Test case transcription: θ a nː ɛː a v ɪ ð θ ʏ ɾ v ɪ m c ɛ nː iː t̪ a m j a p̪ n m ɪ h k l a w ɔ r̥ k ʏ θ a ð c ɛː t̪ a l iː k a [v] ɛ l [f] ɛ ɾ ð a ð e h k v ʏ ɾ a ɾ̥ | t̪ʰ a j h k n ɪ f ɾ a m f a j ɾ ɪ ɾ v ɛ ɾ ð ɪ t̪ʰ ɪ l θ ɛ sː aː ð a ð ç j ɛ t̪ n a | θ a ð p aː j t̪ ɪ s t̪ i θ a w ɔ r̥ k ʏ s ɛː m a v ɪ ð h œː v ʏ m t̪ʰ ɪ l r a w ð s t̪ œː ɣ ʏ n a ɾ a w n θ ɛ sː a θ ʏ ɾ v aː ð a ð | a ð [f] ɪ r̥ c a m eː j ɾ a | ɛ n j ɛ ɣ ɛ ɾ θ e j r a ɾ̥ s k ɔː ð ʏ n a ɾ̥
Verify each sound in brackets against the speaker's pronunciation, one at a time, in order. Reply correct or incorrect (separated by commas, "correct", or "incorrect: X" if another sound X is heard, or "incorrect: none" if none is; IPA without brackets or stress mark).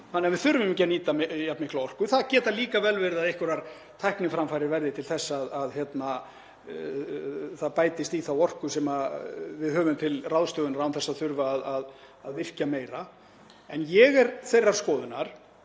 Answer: correct, incorrect: v, incorrect: v